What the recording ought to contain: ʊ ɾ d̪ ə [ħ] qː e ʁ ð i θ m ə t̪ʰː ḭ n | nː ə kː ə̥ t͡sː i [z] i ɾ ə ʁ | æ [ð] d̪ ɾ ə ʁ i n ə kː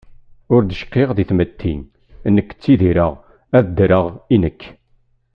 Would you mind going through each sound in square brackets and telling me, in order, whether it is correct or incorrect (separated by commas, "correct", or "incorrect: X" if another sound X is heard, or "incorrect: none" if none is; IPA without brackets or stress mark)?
incorrect: ʃ, incorrect: ð, correct